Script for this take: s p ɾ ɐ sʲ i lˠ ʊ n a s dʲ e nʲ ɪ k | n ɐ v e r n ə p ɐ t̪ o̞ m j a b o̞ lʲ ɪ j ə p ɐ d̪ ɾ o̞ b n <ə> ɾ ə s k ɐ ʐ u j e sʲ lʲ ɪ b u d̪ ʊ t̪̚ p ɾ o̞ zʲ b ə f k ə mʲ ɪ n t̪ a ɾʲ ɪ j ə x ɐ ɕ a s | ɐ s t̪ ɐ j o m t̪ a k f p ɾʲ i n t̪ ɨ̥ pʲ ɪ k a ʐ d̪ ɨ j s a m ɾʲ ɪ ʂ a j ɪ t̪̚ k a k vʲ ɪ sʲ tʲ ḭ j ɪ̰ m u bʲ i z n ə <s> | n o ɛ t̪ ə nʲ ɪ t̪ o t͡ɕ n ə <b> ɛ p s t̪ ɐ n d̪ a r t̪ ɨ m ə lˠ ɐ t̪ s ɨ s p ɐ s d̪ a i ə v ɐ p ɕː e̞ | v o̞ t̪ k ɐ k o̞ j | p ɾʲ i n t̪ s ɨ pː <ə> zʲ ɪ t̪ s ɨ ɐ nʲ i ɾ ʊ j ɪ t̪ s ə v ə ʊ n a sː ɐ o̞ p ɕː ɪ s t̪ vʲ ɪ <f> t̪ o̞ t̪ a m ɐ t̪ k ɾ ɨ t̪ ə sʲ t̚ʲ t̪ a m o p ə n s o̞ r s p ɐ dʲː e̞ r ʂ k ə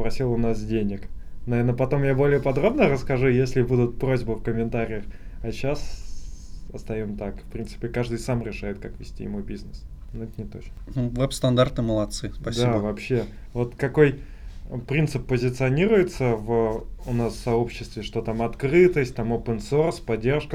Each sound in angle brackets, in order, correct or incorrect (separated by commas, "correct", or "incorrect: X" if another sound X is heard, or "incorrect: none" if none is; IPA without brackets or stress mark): correct, correct, incorrect: v, correct, incorrect: ʂ